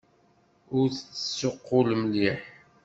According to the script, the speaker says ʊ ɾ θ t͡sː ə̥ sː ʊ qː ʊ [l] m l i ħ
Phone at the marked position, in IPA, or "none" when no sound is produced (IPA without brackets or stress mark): l